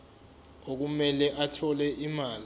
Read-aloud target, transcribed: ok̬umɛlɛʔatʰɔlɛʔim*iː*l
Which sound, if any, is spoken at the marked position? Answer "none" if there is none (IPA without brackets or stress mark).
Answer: aː